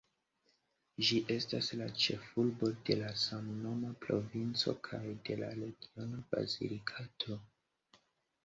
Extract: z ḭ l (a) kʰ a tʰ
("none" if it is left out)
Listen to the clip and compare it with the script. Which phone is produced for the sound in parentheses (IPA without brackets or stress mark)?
i